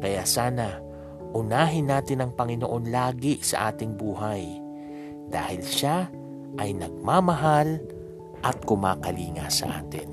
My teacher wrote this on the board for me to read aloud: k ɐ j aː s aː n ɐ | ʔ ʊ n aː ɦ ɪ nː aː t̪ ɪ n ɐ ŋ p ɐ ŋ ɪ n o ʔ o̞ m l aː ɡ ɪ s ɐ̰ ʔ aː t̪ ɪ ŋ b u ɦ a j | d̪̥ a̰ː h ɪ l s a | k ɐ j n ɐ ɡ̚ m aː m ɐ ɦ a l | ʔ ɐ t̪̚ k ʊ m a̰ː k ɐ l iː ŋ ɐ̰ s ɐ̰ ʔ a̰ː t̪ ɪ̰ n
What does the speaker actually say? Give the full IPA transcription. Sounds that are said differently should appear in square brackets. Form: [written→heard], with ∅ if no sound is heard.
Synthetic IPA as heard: k ɐ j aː s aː n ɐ | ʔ ʊ n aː ɦ ɪ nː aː t̪ ɪ n ɐ ŋ p ɐ ŋ ɪ n o ʔ o̞ [m→n] l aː ɡ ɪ s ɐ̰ ʔ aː t̪ ɪ ŋ b [u→uː] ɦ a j | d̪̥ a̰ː h ɪ l [s→ʃ] a | [k→ʔ] ɐ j n ɐ ɡ̚ m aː m ɐ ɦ a l | ʔ ɐ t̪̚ k ʊ m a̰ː k ɐ l iː ŋ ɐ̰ s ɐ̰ ʔ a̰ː t̪ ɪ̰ n